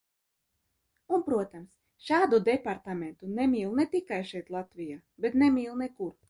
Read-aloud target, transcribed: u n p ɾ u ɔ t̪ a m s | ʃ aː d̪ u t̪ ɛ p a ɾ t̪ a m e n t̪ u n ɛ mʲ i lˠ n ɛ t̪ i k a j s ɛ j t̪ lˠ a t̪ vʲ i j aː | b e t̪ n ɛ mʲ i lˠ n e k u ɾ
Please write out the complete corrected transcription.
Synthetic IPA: u n p ɾ u ɔ t̪ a m s | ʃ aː d̪ u d̪ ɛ p a ɾ t̪ a m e n t̪ u n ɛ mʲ iː lˠ n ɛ t̪ i k a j ʃ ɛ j t̪ lˠ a t̪ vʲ i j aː | b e t̪ n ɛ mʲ iː lˠ n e k u ɾ